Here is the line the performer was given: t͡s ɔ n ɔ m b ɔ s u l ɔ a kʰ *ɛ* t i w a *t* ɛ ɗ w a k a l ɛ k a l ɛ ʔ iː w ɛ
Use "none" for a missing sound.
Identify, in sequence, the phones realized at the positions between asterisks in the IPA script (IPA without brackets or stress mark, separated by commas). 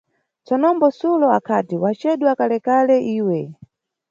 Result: a, t͡ʃ